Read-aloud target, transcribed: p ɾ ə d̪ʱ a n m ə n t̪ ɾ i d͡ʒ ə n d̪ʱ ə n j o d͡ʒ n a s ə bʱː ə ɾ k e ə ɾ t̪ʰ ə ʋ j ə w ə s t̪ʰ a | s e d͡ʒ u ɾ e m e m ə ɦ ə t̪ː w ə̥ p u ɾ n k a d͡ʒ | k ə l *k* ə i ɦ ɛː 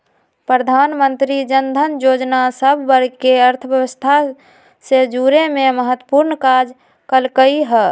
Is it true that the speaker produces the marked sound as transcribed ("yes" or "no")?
yes